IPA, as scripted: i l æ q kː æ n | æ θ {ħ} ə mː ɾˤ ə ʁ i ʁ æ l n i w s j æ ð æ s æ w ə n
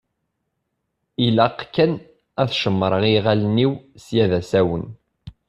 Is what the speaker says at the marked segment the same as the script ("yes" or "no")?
no